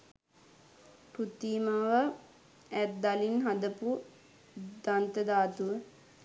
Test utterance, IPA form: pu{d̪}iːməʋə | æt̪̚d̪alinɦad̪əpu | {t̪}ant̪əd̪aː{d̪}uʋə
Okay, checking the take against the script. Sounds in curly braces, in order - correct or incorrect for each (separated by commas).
incorrect, incorrect, incorrect